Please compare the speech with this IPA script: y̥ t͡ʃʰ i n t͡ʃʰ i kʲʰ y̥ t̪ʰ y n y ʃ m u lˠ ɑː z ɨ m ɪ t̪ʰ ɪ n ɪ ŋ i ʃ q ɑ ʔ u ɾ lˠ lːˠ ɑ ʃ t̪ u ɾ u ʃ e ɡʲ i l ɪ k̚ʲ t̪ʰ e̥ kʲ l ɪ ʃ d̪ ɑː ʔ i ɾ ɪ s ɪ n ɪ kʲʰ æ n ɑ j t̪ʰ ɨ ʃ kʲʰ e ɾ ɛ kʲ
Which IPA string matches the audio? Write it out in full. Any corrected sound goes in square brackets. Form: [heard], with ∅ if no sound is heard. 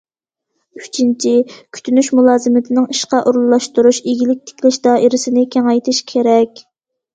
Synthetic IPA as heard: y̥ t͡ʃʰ i n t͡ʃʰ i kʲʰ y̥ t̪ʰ y n y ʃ m u lˠ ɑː z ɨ m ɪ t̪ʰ ɪ n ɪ ŋ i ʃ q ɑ ʔ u ɾ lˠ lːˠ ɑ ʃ t̪ u ɾ u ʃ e ɡʲ i l ɪ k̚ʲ t̪ʰ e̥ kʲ l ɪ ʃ d̪ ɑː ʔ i ɾ ɪ s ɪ n ɪ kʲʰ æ [ŋ] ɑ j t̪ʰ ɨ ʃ kʲʰ e ɾ ɛ kʲ